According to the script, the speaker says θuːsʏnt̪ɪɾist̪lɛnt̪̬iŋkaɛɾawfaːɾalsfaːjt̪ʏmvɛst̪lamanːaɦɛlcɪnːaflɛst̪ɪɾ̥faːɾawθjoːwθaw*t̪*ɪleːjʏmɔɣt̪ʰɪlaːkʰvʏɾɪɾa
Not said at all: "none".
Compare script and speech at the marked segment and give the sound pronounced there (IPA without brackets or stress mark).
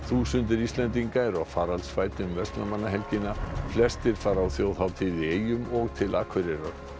t̪ʰ